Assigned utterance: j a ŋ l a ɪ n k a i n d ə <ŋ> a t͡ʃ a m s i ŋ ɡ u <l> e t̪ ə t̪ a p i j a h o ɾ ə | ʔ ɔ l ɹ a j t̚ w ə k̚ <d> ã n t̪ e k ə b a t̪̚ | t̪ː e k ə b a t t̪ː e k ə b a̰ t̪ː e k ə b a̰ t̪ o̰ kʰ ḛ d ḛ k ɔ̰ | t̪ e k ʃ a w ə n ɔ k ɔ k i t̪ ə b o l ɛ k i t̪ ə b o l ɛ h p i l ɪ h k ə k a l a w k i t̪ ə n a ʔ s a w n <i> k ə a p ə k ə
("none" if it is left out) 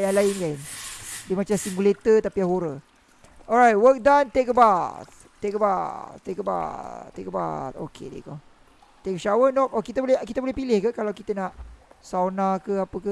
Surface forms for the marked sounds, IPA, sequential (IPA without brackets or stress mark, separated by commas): m, l, d, a